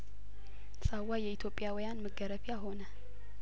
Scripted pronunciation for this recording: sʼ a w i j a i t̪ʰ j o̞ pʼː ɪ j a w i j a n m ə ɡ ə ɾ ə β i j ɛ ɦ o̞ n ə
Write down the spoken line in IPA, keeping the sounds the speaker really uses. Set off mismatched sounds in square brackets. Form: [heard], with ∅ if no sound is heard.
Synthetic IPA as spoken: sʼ a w [a] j [ɛ] i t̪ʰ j o̞ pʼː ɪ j a w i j a n m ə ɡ ə ɾ ə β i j [a] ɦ o̞ n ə